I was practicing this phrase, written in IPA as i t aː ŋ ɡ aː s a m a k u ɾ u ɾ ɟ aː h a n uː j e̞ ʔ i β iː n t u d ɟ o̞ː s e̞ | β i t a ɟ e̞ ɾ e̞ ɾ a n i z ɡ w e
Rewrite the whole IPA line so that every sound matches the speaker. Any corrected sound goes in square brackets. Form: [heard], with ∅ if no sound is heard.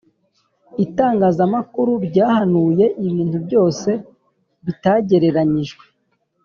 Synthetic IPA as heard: i t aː ŋ ɡ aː [z] a m a k u ɾ u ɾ ɟ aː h a n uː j e̞ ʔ i β iː n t u [b] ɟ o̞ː s e̞ | β i t a ɟ e̞ ɾ e̞ ɾ a [ɲ] i [ʒ] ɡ w e

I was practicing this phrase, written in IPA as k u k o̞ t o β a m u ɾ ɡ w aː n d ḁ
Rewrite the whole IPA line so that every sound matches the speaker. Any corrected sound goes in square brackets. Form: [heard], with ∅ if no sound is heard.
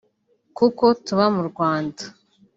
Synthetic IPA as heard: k u k o̞ t [u] β a m u ɾ ɡ w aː n d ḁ

